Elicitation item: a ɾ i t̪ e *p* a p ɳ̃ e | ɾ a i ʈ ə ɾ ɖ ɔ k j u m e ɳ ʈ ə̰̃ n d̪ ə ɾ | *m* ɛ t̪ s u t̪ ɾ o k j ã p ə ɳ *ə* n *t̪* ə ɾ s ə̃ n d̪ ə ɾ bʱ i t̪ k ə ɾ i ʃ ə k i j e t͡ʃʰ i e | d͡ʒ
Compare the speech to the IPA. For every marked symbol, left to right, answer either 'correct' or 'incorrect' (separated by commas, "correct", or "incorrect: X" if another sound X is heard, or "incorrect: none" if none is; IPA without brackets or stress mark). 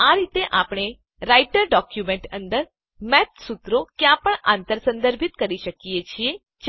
incorrect: ʔ, correct, incorrect: a, correct